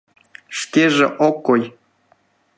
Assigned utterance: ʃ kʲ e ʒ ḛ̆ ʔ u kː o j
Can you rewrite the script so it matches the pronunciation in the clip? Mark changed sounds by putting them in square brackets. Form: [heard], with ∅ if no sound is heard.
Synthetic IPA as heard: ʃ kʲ e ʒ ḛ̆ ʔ [o] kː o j